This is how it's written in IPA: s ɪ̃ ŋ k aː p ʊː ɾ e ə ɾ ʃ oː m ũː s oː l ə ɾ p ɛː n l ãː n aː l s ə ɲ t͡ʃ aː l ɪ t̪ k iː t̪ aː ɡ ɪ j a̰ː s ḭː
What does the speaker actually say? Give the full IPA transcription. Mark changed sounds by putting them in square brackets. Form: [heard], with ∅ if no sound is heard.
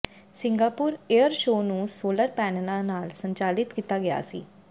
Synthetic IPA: s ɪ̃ ŋ [ɡ] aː p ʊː ɾ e ə ɾ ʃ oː [n] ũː s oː l ə ɾ p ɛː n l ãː n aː l s ə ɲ t͡ʃ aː l ɪ t̪ k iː t̪ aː ɡ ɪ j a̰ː s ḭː